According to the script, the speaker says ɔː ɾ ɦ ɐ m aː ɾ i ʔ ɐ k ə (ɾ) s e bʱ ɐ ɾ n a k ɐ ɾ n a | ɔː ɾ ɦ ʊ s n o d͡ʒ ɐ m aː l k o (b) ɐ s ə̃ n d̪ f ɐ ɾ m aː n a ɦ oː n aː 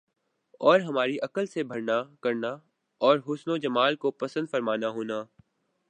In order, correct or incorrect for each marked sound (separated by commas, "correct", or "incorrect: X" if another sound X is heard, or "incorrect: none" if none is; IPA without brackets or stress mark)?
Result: incorrect: l, incorrect: p